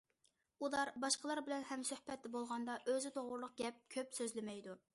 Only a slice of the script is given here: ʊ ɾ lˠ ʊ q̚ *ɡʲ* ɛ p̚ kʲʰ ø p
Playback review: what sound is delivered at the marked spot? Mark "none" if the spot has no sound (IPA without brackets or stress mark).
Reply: ɡʲ